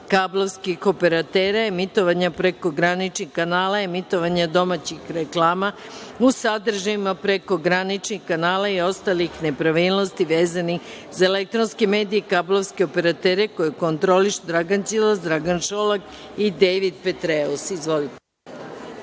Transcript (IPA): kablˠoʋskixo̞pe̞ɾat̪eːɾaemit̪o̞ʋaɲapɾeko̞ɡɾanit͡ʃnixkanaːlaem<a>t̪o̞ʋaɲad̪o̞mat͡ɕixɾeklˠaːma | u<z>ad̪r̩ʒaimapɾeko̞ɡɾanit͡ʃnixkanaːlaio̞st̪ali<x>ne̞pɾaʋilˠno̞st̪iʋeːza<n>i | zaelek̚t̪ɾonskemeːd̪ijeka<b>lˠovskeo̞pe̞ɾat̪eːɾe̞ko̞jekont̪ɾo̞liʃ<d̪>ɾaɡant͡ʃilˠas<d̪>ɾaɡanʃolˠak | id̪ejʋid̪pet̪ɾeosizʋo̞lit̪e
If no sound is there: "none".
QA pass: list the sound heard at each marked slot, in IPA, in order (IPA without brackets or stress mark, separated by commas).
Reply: i, s, x, n, b, d̪, d̪